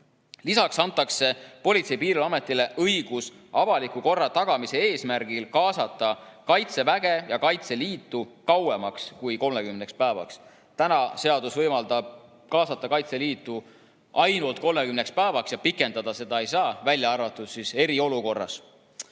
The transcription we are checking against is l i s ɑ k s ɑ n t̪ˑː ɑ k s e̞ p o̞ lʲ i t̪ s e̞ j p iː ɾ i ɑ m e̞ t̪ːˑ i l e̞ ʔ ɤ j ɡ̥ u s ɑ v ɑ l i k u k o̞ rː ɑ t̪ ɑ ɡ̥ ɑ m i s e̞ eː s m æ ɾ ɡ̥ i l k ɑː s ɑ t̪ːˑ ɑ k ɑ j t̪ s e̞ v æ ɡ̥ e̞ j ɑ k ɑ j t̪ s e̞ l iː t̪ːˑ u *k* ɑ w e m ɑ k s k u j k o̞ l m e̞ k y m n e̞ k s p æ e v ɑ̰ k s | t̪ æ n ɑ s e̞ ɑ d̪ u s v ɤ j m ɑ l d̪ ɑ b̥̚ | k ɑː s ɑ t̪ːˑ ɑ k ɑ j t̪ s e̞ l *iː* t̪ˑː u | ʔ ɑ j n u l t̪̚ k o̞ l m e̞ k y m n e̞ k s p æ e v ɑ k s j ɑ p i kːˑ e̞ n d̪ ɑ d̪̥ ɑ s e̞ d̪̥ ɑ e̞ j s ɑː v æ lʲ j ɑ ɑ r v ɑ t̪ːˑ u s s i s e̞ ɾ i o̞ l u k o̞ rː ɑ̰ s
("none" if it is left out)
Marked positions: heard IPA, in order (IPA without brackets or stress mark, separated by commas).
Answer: k, iː